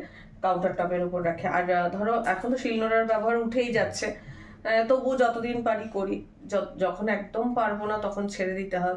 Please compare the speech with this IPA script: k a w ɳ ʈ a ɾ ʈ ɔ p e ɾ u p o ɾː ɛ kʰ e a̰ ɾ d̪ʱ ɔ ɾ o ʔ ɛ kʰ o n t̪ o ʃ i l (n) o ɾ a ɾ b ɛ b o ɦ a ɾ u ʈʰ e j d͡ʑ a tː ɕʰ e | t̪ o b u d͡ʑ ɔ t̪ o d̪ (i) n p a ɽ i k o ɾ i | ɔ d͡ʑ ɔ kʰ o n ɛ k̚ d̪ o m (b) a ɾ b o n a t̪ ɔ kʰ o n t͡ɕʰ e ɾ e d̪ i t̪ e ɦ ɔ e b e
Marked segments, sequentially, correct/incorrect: correct, correct, incorrect

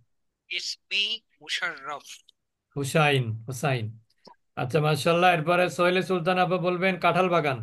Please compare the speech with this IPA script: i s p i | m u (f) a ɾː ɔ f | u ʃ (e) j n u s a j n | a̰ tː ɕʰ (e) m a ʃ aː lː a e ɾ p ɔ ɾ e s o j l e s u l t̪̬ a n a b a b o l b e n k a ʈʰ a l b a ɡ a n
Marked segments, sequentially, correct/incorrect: incorrect, incorrect, incorrect

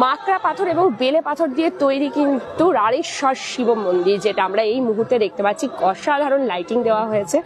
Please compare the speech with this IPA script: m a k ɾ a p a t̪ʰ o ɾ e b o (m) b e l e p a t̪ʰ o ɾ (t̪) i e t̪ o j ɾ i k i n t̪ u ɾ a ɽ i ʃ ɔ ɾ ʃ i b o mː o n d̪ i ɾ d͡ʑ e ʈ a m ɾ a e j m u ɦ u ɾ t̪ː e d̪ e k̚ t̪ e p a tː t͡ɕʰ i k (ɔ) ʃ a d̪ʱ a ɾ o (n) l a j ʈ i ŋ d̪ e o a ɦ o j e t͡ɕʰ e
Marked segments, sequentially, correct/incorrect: incorrect, incorrect, correct, correct

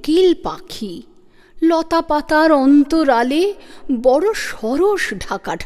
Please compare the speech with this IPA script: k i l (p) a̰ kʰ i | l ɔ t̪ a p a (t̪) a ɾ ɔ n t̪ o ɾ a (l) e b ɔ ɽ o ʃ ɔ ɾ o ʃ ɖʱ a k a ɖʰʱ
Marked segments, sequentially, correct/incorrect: correct, correct, correct

